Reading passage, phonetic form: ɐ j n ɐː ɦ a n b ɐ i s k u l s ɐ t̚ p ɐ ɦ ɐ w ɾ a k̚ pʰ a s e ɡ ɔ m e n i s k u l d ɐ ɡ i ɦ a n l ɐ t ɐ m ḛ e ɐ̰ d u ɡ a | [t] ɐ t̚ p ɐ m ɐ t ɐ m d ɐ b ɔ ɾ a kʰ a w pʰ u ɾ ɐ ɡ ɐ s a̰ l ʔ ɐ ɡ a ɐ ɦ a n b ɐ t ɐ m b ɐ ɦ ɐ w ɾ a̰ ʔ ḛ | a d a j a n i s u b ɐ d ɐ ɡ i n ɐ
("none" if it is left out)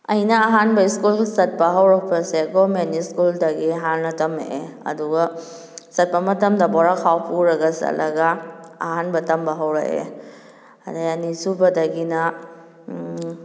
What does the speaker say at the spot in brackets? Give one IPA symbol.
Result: s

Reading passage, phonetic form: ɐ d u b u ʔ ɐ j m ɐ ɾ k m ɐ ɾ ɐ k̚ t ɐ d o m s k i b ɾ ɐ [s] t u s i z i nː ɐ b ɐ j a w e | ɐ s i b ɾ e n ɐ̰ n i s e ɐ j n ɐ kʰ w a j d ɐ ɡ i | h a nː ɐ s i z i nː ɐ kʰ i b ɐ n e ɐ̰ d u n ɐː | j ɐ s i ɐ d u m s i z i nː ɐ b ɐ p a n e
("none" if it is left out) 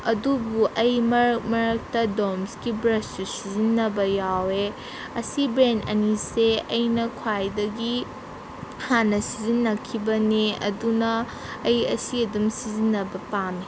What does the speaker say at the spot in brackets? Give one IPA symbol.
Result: s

